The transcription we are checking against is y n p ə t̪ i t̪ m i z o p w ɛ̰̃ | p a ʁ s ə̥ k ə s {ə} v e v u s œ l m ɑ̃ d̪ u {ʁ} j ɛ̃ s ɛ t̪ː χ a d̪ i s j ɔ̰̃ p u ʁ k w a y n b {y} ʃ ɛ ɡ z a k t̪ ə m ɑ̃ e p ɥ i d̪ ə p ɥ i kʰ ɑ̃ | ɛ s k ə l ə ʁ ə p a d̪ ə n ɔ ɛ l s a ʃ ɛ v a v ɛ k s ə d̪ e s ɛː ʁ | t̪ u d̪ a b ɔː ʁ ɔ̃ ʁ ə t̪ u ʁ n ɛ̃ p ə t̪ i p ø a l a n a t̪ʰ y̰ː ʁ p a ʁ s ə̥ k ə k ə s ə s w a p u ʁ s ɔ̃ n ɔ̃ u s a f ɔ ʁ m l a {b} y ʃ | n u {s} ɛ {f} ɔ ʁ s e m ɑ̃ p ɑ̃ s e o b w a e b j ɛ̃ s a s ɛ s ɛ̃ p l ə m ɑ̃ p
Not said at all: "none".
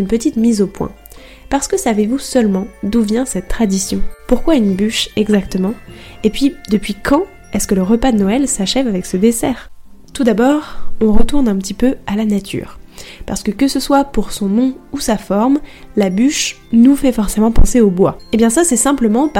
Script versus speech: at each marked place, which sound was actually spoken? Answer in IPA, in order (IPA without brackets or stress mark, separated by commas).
a, v, y, b, f, f